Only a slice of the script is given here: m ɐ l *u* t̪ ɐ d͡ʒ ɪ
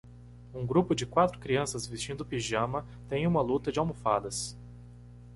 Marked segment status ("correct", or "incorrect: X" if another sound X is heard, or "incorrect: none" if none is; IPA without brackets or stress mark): correct